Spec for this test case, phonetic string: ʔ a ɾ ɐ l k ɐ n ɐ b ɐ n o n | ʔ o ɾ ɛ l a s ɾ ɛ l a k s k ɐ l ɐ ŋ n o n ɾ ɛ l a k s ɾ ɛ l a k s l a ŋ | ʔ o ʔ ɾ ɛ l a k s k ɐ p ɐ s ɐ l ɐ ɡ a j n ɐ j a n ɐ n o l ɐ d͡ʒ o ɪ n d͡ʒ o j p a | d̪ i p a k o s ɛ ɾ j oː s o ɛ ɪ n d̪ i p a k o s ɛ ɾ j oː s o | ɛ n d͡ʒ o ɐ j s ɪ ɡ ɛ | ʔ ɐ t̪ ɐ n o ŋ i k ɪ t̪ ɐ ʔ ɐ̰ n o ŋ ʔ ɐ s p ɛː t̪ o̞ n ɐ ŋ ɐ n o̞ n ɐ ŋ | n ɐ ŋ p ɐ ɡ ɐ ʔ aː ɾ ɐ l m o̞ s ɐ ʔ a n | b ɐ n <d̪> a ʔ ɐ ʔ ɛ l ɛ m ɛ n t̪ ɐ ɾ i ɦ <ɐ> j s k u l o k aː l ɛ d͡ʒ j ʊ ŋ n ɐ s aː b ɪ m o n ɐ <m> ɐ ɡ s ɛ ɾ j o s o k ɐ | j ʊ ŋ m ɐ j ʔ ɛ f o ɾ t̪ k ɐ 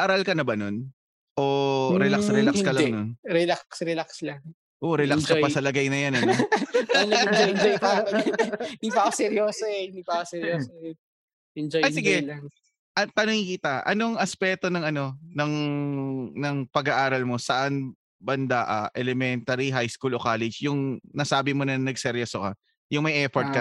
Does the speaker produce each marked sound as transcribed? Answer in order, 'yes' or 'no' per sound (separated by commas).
yes, no, no